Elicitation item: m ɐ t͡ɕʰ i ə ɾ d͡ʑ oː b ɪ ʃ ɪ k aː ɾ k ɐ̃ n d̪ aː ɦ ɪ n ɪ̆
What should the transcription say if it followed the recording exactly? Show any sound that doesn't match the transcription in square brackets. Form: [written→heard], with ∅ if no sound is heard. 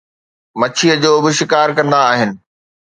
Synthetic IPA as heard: m ɐ t͡ɕʰ i ə [ɾ→∅] d͡ʑ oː b ɪ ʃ ɪ k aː ɾ k ɐ̃ n d̪ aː ɦ ɪ n ɪ̆